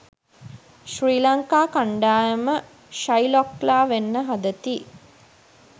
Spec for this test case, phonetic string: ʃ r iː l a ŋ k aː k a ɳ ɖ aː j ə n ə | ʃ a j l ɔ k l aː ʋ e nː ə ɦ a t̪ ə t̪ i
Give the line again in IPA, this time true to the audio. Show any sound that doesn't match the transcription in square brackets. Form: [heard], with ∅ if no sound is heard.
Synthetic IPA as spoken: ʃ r iː l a ŋ k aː k a ɳ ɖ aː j ə [m] ə | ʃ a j l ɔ k l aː ʋ e nː ə ɦ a [d̪] ə t̪ i